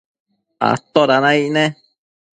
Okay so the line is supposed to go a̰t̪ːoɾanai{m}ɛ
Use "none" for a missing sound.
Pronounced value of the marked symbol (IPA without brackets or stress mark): n